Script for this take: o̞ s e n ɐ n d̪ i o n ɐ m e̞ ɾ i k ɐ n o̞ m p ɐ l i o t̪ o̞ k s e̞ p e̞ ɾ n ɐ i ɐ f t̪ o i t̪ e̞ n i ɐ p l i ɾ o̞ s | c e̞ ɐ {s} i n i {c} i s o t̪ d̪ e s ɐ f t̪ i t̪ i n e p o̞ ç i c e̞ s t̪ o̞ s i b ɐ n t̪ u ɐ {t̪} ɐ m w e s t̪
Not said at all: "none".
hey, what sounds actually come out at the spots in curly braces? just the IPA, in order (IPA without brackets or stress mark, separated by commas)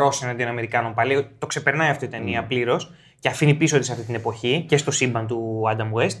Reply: f, p, d̪